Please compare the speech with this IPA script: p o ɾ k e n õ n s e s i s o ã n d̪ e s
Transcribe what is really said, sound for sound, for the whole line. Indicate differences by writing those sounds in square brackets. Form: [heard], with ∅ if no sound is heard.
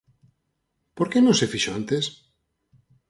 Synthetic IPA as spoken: p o ɾ k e n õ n s e [f] i [ʃ] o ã n [t̪] e s